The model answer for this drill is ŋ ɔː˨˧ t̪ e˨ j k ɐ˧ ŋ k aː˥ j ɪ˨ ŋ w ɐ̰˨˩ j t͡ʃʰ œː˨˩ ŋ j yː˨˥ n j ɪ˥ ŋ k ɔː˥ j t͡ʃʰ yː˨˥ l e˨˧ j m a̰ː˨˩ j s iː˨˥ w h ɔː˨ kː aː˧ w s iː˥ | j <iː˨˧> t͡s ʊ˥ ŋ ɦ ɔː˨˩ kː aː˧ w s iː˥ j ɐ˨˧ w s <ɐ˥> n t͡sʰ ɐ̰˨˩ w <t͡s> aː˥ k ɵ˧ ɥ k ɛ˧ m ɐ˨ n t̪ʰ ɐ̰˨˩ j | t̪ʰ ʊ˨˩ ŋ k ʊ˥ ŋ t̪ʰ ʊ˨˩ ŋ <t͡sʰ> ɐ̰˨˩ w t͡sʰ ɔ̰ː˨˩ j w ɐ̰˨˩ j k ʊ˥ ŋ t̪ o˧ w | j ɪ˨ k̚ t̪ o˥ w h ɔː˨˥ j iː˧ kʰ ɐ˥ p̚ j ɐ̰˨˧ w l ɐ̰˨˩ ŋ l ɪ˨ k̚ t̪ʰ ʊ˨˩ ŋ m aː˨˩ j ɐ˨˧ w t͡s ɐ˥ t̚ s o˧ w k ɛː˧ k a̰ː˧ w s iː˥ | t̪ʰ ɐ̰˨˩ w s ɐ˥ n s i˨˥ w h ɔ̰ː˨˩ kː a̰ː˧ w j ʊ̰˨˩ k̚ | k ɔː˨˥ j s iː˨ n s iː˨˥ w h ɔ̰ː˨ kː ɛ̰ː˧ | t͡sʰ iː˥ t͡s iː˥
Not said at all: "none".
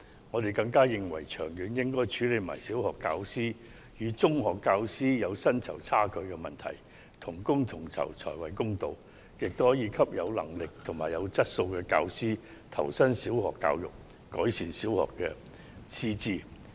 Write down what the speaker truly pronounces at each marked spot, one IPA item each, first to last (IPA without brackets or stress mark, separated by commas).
yː˨˧, ɐ˥, t͡sʰ, t͡sʰ